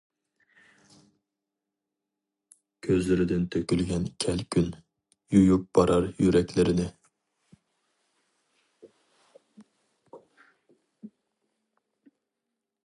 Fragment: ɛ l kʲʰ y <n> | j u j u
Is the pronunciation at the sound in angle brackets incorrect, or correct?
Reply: correct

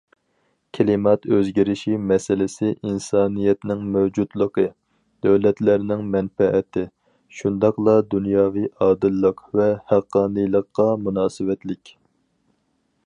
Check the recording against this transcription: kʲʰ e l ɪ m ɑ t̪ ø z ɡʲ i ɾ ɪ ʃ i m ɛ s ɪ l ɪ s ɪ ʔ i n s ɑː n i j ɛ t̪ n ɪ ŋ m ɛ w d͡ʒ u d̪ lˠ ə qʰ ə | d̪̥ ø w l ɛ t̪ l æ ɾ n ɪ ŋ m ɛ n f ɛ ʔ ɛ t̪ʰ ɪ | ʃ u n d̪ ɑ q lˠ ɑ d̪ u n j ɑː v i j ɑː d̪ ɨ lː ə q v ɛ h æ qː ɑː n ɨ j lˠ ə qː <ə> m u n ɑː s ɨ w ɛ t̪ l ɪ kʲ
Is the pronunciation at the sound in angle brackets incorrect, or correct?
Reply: incorrect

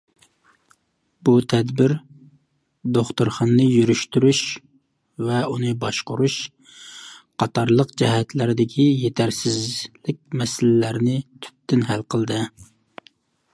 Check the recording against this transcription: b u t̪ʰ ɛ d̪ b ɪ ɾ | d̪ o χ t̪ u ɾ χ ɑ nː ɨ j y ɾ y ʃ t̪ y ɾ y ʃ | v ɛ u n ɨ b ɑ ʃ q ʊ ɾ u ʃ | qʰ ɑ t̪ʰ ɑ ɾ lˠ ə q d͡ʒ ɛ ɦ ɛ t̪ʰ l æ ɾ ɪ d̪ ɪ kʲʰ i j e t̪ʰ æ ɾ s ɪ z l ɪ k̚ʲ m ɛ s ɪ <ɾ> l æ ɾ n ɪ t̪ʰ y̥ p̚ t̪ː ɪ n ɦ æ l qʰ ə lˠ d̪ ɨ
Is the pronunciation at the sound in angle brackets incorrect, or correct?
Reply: incorrect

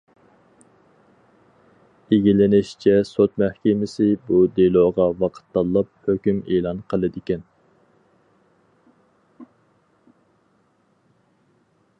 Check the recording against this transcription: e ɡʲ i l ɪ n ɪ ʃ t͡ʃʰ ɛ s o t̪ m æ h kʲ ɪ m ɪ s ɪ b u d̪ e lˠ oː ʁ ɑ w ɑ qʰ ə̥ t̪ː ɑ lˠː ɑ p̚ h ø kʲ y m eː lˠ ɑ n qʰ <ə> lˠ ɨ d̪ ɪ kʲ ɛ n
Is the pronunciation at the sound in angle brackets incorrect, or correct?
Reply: correct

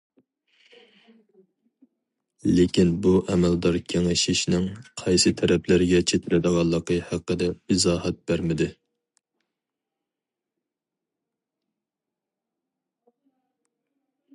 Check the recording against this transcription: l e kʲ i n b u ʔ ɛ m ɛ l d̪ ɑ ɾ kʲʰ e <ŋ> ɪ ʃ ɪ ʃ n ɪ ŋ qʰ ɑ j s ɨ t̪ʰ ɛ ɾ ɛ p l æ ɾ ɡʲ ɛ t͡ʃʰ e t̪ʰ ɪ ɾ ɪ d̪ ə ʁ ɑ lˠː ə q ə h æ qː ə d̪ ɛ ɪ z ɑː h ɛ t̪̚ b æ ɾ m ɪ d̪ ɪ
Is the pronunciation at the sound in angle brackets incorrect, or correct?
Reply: correct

